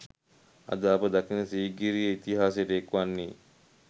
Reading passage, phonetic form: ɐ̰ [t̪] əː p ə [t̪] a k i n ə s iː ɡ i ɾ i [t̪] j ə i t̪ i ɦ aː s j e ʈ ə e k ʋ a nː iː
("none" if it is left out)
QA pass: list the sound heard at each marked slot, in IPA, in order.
d̪, d̪, none

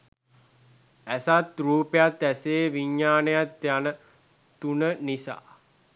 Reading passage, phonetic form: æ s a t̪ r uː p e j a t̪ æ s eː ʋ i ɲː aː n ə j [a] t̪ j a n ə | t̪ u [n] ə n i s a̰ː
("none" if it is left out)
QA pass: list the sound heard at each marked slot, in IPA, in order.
a, n

